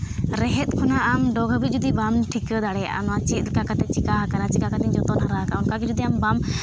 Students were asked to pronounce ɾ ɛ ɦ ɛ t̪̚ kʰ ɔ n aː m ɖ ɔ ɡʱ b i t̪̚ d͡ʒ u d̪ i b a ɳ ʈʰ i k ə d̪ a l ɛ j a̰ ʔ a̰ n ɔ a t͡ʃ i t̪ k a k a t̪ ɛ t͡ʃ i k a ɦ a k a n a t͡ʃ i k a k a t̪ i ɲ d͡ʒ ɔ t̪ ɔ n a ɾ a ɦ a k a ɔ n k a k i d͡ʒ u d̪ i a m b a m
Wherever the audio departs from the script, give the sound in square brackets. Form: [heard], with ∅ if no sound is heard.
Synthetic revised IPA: ɾ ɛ ɦ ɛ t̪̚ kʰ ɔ n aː m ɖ ɔ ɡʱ b i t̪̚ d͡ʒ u d̪ i b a [m] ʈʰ i k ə d̪ a [ɽ] ɛ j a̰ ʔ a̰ n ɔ a t͡ʃ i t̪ k a k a t̪ ɛ t͡ʃ i k a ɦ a k a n a t͡ʃ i k a k a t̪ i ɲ d͡ʒ ɔ t̪ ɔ n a ɾ a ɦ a k a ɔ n k a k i d͡ʒ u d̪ i a m b a m